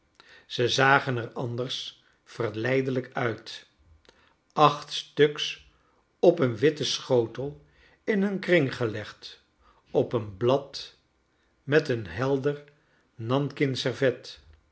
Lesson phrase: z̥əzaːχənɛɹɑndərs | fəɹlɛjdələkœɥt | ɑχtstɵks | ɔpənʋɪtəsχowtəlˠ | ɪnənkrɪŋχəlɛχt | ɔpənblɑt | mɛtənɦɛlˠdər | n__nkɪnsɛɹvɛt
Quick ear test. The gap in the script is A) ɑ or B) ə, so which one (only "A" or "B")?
A